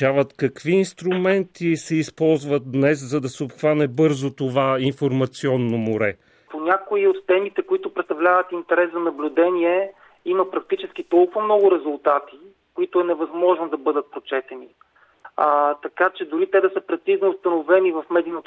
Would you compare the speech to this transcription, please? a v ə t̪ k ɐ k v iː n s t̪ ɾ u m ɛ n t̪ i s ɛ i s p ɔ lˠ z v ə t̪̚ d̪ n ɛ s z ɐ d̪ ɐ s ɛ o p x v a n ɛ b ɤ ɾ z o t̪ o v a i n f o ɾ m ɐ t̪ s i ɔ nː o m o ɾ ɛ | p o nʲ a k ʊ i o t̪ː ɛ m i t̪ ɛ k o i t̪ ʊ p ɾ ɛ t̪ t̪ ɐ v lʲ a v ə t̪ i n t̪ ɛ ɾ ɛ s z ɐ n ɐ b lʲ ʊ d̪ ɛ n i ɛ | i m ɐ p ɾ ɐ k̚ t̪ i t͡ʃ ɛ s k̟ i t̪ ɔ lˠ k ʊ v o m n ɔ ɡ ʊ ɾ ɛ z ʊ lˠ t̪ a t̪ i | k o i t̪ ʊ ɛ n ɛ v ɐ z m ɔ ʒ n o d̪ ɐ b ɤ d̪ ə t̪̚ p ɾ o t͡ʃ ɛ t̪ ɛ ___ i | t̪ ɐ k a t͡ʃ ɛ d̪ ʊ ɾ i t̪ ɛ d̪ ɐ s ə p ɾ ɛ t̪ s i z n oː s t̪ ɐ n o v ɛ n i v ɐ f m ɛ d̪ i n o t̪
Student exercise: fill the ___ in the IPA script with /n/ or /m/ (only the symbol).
n